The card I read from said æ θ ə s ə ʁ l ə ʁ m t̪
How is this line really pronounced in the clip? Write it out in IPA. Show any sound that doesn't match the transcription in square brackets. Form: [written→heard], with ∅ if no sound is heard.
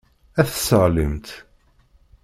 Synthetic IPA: æ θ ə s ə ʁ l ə [ʁ→∅] m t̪